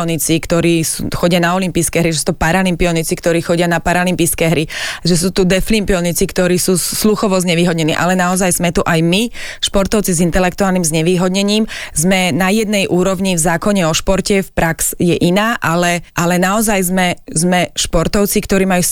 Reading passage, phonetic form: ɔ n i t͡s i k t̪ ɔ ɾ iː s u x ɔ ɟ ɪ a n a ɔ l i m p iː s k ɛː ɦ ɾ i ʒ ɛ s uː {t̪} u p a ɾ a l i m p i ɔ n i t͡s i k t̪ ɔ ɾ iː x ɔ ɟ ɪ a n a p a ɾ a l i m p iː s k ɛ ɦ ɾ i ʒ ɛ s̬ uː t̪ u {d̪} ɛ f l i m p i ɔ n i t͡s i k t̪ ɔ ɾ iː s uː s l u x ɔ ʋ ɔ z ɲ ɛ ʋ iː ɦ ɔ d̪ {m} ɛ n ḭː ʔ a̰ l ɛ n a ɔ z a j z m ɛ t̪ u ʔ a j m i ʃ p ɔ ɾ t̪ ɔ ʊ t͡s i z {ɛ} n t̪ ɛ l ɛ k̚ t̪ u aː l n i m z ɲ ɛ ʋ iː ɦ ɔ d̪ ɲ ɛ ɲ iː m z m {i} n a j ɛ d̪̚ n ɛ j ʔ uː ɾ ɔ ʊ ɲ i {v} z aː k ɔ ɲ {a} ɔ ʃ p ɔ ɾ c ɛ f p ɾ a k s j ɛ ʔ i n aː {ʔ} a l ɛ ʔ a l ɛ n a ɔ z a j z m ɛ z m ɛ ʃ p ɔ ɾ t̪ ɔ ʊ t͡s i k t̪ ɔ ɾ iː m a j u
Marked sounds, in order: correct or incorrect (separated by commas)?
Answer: correct, correct, incorrect, incorrect, incorrect, correct, incorrect, correct